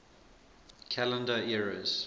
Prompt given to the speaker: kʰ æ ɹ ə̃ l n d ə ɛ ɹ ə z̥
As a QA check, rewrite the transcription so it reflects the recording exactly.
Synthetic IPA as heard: kʰ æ l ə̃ n d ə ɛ ɹ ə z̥